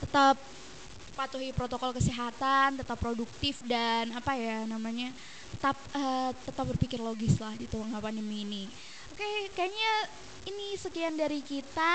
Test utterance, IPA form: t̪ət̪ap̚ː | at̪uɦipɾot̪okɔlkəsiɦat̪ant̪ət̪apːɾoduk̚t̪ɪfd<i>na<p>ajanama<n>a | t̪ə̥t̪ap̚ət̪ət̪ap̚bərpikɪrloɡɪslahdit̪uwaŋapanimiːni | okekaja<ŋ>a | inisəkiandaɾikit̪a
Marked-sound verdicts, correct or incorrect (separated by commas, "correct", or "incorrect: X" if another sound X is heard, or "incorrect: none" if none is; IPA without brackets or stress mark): incorrect: a, correct, incorrect: ɲ, incorrect: ɲ